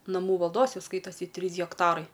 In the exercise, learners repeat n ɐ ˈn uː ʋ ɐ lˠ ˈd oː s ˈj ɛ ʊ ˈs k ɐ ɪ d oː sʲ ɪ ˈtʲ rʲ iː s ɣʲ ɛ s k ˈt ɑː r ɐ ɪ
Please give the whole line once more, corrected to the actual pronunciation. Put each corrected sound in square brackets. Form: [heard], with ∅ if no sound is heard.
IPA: n ɐ [ˈm] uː ʋ ɐ lˠ ˈd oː s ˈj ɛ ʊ ˈs k ɐ ɪ [t] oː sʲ ɪ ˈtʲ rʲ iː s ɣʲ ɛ [∅] k ˈt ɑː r ɐ ɪ